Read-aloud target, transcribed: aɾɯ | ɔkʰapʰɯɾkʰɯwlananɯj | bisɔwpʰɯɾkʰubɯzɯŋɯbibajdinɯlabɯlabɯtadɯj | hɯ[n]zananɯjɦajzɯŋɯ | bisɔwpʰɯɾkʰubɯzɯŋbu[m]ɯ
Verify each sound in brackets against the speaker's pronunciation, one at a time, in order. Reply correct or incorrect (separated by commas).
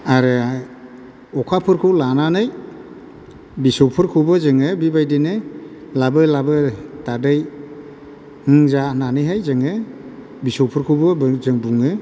incorrect, incorrect